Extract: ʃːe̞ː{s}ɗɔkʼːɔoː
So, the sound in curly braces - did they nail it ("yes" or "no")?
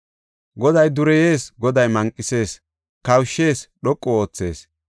yes